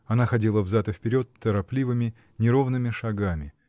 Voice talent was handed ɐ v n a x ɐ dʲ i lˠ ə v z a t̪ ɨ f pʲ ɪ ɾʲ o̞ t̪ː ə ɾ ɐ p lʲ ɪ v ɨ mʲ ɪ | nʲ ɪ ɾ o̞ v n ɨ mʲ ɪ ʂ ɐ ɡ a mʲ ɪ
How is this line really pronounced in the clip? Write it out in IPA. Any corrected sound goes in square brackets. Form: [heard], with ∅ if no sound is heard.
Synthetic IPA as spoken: ɐ [∅] n a x ɐ dʲ i lˠ ə v z a t̪ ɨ f pʲ ɪ ɾʲ o̞ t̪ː ə ɾ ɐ p lʲ [i] v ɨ mʲ ɪ | nʲ ɪ ɾ o̞ v n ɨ mʲ ɪ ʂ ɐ ɡ a mʲ ɪ